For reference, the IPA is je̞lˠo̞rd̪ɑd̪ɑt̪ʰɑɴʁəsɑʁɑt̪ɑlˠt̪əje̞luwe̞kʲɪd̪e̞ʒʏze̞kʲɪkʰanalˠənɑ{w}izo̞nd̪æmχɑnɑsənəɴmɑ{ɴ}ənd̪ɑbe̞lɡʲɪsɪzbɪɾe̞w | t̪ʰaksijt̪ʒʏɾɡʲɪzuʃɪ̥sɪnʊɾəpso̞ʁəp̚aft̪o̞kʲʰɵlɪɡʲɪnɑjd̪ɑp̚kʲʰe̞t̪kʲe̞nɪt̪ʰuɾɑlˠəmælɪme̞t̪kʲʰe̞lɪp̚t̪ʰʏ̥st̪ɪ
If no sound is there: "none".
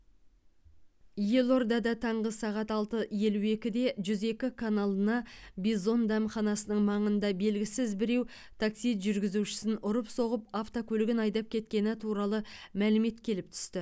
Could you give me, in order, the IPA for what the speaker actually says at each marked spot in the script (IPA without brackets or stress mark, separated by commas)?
b, ɴ